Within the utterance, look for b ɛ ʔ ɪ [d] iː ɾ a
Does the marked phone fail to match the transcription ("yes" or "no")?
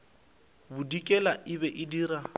no